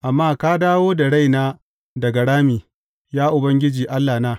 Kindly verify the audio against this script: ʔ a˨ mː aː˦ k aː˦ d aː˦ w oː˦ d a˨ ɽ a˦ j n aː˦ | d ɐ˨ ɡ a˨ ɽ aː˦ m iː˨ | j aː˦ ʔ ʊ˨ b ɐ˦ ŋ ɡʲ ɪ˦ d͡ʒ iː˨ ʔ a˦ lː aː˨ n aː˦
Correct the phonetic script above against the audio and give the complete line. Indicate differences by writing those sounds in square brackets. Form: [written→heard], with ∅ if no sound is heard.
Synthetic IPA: ʔ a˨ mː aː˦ k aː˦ d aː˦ w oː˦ d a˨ ɽ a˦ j n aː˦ | d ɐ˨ ɡ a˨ ɽ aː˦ m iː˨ | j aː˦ ʔ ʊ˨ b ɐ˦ ŋ ɡʲ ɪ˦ d͡ʒ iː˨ ʔ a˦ lː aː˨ n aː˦